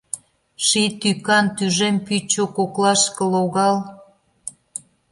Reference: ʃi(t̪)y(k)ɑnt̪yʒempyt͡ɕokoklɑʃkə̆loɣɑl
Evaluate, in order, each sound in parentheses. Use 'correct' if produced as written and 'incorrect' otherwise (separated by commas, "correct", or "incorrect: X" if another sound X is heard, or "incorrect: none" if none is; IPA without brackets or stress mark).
correct, correct